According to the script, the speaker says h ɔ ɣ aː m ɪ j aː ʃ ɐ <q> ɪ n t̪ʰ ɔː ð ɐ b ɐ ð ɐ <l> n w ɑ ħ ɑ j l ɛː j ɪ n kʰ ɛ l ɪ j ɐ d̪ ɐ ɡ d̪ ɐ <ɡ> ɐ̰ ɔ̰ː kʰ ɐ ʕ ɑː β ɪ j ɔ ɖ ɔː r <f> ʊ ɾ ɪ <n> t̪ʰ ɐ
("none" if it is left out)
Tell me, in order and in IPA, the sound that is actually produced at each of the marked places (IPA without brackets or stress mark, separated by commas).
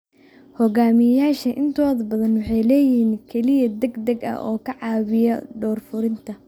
ʔ, none, ɡ, f, n